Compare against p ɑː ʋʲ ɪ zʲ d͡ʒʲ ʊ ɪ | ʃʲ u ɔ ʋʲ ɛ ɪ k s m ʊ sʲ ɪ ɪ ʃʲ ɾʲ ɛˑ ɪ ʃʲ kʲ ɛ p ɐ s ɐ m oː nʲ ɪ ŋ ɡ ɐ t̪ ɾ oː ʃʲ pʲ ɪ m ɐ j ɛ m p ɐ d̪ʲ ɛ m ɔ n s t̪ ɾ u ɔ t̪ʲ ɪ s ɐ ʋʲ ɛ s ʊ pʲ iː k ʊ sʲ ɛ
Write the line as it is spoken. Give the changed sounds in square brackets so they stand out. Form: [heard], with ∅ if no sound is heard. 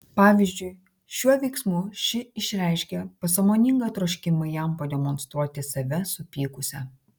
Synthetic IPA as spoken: p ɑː ʋʲ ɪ zʲ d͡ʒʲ ʊ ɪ | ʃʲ u ɔ ʋʲ ɛ ɪ k s m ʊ [ʃʲ] ɪ ɪ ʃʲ ɾʲ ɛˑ ɪ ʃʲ kʲ ɛ p ɐ s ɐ m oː nʲ ɪ ŋ ɡ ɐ t̪ ɾ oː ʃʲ [kʲ] ɪ m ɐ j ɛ m p ɐ d̪ʲ ɛ m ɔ n s t̪ ɾ u ɔ t̪ʲ ɪ s ɐ ʋʲ ɛ s ʊ pʲ iː k ʊ sʲ ɛ